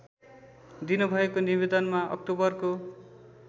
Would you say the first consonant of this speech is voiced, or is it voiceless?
voiced